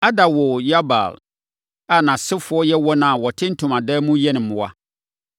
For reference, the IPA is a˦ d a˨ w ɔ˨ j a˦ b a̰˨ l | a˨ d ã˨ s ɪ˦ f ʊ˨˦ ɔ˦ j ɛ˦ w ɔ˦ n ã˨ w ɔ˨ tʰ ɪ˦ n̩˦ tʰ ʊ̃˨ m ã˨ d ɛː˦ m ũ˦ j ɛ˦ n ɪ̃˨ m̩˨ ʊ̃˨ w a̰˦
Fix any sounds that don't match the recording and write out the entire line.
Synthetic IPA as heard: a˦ d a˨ w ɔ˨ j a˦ b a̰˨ l | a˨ n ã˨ s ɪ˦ f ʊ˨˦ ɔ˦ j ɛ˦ w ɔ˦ n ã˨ w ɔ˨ tʰ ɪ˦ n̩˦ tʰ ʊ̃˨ m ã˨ d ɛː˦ m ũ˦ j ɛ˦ n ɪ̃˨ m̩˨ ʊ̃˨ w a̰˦